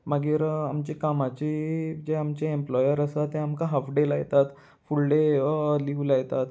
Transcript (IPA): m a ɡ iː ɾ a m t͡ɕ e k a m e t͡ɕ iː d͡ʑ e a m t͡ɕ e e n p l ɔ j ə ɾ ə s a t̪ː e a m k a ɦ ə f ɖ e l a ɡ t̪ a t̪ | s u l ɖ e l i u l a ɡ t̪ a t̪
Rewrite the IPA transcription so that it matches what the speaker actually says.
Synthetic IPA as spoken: m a ɡ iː ɾ a m t͡ɕ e k a m a t͡ɕ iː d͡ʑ e a m t͡ɕ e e m p l ɔ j ə ɾ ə s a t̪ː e a m k a ɦ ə f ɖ e l a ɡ t̪ a t̪ | f u l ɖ e l i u l a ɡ t̪ a t̪